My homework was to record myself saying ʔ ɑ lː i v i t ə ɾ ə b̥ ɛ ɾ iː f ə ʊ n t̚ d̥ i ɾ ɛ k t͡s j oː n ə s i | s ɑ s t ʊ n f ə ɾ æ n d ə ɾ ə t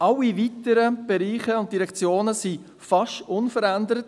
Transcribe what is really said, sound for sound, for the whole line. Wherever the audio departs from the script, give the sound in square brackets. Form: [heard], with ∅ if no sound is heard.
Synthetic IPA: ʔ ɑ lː i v i t ə ɾ ə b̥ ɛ ɾ iː [χ] ə ʊ n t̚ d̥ i ɾ ɛ k t͡s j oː n ə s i | [f] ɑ [ʃ] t ʊ n f ə ɾ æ n d ə ɾ ə t